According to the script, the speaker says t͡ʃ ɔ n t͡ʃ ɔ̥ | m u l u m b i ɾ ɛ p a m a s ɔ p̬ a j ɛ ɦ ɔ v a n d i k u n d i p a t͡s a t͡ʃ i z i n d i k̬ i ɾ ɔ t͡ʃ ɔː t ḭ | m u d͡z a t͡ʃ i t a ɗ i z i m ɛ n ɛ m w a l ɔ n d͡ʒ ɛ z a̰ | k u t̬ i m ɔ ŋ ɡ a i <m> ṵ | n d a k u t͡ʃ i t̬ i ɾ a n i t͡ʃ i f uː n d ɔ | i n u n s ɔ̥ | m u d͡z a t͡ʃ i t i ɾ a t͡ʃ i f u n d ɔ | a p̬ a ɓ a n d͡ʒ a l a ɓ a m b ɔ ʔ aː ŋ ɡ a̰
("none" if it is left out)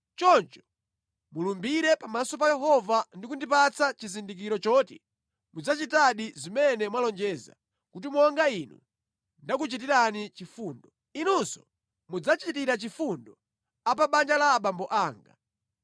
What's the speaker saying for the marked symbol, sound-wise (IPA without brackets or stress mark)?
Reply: n